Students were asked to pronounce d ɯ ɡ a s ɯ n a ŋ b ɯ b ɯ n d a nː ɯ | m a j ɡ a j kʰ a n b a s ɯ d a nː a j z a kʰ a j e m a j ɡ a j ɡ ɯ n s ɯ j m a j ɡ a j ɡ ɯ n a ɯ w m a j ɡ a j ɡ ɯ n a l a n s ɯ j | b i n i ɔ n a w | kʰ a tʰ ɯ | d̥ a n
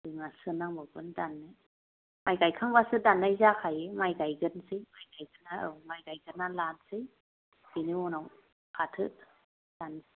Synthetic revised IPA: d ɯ ŋ a s ɯ n a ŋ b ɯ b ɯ n d a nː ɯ | m a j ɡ a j kʰ a ŋ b a s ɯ d a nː a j z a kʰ a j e m a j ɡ a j ɡ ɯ n s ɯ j m a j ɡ a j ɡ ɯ n a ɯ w m a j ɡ a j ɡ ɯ n a l a n s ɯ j | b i n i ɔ n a w | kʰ a tʰ ɯ | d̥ a n